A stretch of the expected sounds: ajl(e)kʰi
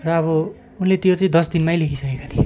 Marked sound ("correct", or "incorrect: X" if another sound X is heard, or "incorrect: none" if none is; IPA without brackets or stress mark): correct